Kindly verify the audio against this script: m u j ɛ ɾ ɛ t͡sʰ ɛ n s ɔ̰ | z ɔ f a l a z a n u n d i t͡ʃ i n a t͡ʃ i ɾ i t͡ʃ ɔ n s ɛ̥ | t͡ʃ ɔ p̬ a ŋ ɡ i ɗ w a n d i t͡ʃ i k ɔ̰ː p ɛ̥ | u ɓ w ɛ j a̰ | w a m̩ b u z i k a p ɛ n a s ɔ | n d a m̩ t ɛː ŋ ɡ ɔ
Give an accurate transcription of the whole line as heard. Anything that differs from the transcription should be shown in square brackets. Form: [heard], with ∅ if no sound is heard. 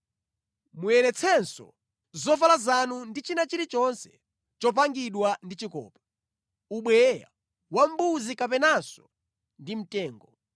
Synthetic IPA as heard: m u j ɛ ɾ ɛ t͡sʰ ɛ n s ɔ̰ | z ɔ f a l a z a n u n d i t͡ʃ i n a t͡ʃ i ɾ i t͡ʃ ɔ n s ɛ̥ | t͡ʃ ɔ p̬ a ŋ ɡ i ɗ w a n d i t͡ʃ i k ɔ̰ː p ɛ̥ | u ɓ w ɛ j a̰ | w a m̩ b u z i k a p ɛ n a s ɔ | n d [i] m̩ t ɛː ŋ ɡ ɔ